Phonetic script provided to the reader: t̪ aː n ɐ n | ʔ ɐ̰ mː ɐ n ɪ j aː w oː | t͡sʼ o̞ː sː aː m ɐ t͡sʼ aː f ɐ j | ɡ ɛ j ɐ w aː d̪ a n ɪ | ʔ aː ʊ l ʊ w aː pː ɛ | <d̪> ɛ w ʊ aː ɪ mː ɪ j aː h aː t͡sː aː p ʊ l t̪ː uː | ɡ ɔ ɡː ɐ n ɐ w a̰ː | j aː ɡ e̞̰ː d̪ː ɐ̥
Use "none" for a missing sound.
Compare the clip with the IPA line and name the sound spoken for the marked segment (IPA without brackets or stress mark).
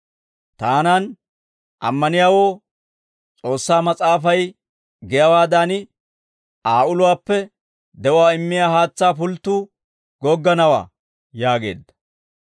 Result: d̪